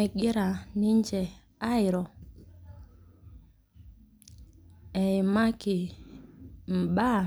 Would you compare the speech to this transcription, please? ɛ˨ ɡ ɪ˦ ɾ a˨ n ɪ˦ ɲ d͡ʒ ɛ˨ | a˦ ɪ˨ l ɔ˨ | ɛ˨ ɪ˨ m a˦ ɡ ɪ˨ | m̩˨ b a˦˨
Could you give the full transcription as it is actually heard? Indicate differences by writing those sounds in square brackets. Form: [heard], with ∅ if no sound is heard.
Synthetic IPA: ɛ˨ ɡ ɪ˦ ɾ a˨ n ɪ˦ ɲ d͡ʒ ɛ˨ | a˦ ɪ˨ [ɾ] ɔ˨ | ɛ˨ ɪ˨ m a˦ [k] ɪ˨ | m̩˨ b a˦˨